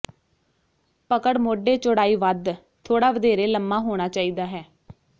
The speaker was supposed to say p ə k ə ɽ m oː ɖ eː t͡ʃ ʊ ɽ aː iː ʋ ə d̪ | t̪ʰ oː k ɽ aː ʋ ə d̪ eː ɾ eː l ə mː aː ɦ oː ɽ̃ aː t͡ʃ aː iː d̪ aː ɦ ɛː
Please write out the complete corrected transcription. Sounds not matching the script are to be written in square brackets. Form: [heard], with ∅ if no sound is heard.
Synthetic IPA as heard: p ə k ə ɽ m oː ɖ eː t͡ʃ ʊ ɽ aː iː ʋ ə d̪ | t̪ʰ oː [∅] ɽ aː ʋ ə d̪ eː ɾ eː l ə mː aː ɦ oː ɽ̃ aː t͡ʃ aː iː d̪ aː ɦ ɛː